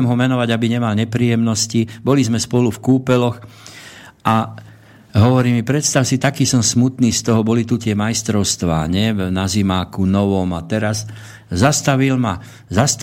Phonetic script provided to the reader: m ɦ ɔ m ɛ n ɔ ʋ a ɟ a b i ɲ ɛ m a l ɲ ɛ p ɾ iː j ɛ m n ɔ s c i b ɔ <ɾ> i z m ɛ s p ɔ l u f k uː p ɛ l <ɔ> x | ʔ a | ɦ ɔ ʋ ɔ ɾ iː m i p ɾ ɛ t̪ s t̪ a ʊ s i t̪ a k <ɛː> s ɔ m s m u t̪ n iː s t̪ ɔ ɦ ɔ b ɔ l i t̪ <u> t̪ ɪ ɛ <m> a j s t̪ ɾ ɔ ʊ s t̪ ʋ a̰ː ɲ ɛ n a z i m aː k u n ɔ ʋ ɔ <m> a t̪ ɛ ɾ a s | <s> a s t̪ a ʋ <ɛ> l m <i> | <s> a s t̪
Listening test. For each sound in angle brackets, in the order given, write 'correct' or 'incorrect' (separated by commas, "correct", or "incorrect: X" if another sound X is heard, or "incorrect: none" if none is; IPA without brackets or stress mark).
incorrect: l, correct, incorrect: iː, correct, correct, correct, incorrect: z, incorrect: i, incorrect: a, incorrect: z